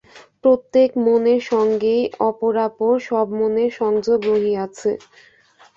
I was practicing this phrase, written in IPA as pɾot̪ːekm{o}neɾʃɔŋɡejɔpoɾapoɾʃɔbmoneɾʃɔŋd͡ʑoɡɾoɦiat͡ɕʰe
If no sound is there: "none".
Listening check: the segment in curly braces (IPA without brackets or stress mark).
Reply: o